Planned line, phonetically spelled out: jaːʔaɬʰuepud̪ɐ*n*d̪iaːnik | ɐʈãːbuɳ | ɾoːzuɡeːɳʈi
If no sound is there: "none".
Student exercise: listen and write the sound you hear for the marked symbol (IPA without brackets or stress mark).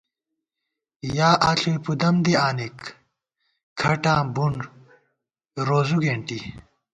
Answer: m